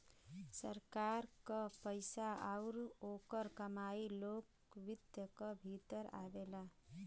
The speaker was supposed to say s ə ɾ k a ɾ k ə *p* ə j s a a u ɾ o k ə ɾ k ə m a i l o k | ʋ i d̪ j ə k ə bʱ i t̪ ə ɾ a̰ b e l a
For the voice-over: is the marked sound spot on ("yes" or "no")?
yes